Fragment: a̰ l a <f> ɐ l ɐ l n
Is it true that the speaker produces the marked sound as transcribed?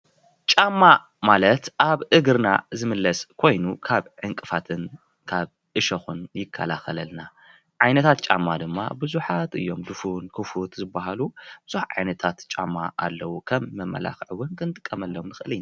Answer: no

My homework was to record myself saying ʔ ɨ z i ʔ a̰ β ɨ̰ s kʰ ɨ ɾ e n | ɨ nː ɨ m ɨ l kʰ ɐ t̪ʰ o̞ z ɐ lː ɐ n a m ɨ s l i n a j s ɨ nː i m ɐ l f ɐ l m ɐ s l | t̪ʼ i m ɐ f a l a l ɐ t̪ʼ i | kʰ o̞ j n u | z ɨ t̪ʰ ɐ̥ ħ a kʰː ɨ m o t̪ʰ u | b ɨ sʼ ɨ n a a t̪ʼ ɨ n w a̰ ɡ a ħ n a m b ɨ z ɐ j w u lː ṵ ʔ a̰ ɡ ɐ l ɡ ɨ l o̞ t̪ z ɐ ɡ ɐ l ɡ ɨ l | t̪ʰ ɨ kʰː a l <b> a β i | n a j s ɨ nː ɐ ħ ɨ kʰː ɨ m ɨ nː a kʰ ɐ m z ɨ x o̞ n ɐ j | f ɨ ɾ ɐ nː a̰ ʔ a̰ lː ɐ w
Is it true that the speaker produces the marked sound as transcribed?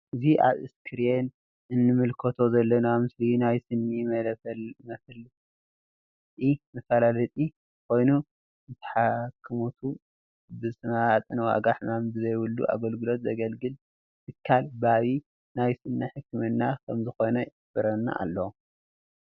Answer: yes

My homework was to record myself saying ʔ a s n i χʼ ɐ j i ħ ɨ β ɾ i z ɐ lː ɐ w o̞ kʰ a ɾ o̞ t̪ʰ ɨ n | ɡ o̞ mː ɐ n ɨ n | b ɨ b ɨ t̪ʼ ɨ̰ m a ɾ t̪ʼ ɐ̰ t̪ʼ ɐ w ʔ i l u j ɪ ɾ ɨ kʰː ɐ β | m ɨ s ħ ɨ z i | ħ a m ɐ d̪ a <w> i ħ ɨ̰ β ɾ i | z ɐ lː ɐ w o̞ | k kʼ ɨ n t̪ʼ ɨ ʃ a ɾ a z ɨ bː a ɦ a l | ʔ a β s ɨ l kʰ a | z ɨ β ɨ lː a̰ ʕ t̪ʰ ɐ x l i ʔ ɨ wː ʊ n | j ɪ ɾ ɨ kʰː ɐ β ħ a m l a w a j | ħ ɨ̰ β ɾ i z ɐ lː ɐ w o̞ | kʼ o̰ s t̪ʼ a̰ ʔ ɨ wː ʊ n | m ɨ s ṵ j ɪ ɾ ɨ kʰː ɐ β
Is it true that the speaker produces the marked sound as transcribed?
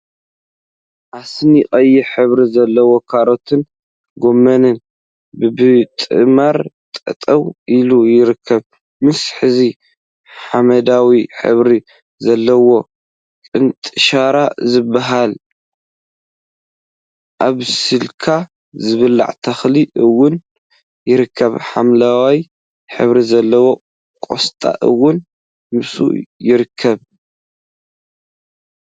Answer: yes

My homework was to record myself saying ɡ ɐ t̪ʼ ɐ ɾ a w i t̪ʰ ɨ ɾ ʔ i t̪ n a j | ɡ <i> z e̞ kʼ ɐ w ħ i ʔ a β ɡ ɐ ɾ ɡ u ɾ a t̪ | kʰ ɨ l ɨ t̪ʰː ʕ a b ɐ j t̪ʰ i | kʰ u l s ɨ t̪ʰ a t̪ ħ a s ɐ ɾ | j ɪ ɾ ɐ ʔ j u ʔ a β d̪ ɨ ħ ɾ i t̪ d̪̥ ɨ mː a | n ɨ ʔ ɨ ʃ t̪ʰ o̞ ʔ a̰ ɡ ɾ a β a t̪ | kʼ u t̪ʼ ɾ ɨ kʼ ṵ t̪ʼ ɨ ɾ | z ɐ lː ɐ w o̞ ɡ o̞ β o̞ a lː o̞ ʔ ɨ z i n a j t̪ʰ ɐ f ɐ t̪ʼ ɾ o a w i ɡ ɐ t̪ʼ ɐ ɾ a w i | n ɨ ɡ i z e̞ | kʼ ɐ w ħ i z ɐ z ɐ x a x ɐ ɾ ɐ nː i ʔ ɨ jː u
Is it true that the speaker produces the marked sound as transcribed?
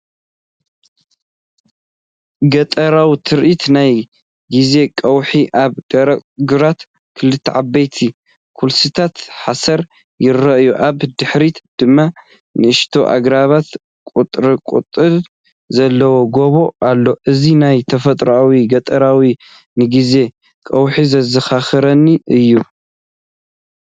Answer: yes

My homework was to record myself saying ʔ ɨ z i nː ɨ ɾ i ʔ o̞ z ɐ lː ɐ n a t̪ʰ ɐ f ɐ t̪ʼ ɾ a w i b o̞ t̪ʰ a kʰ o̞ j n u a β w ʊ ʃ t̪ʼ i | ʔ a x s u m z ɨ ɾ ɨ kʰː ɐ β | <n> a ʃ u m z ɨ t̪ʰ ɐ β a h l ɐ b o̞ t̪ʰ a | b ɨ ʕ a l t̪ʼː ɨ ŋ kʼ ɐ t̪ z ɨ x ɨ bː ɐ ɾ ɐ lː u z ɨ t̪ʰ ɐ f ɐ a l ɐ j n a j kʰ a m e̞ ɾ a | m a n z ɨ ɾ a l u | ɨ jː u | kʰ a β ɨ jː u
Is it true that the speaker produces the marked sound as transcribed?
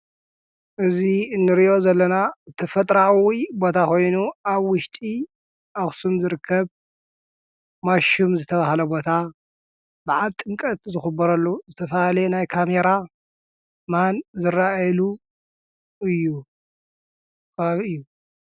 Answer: no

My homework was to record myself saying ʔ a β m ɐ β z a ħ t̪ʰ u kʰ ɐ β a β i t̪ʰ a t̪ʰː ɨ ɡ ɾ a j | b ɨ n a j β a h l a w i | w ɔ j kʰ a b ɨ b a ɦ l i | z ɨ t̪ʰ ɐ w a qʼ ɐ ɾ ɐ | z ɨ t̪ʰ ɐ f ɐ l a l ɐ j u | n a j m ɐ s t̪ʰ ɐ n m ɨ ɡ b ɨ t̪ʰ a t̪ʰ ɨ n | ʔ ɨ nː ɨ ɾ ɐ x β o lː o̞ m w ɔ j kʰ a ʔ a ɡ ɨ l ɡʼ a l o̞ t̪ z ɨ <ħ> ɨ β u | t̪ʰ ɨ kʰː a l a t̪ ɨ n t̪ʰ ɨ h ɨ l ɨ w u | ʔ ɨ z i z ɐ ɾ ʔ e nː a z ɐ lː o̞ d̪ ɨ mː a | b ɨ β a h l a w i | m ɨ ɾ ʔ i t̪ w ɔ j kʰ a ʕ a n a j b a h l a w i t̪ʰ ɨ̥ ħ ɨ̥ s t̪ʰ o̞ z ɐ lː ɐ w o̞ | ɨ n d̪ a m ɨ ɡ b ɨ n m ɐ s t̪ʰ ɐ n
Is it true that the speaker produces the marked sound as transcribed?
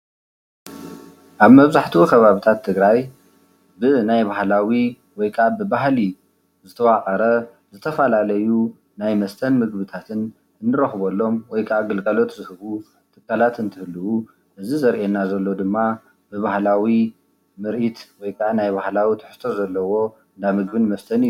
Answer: no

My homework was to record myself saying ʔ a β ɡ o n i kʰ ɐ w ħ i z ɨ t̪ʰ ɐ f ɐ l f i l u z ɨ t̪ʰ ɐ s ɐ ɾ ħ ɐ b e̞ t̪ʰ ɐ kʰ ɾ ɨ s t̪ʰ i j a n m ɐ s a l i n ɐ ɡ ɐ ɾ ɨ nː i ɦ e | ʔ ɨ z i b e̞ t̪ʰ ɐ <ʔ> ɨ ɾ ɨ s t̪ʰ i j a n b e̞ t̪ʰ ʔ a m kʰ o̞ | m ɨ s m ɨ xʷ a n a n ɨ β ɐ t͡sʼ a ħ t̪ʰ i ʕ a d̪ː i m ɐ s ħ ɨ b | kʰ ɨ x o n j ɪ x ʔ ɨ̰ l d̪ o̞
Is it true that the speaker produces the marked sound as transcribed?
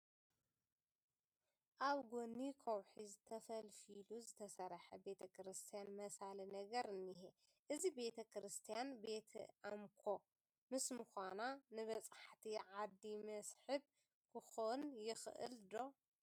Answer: no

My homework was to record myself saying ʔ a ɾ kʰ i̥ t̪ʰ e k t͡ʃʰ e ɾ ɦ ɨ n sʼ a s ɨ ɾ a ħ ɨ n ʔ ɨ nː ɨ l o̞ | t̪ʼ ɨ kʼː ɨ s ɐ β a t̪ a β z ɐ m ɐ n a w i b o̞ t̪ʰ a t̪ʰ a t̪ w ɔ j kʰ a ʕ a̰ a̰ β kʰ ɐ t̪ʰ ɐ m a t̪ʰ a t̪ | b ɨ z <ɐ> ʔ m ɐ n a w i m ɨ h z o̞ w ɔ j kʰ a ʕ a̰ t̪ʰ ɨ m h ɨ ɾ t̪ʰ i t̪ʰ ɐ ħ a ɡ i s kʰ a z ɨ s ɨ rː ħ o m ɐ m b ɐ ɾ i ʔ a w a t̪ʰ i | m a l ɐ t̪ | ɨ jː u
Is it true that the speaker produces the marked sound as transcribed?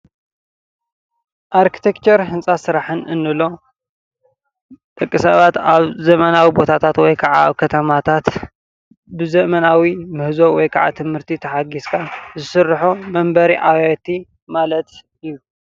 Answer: yes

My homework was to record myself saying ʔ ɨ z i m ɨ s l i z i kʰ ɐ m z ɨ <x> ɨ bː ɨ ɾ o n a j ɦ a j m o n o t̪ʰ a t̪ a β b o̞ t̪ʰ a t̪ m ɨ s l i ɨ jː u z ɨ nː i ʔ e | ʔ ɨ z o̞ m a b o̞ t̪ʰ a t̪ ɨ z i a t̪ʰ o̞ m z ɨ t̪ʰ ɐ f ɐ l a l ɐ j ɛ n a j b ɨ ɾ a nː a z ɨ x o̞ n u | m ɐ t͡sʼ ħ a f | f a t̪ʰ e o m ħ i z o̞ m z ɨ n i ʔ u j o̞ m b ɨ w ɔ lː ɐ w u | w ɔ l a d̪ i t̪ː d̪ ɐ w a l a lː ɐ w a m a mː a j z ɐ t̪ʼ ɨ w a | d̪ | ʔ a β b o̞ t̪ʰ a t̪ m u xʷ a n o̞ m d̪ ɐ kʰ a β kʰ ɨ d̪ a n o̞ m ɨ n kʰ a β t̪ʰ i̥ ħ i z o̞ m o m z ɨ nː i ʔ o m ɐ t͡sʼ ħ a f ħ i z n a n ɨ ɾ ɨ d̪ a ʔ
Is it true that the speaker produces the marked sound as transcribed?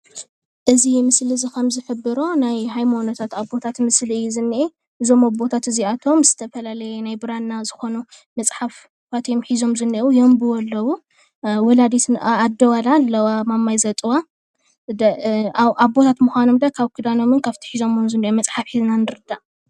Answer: no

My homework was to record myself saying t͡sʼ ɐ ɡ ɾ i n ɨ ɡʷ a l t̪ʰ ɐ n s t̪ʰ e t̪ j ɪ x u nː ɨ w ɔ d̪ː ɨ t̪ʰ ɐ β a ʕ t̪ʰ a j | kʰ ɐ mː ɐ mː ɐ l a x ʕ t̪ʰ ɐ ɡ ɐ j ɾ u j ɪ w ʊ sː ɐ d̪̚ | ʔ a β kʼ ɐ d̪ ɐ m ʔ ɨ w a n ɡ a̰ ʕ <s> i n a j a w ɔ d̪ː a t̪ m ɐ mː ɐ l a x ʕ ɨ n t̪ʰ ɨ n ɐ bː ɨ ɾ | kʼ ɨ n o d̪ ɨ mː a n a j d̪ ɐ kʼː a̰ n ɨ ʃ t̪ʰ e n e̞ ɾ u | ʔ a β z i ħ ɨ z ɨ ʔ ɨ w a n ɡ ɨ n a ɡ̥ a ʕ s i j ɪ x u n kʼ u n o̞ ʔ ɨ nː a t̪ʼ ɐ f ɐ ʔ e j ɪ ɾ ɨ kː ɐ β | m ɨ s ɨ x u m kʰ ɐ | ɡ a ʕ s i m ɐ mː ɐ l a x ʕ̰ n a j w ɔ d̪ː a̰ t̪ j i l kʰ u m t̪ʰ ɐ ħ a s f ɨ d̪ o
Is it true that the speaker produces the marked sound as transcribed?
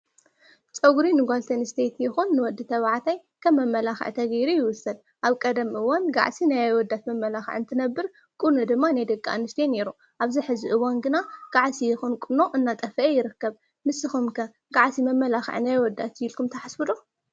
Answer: yes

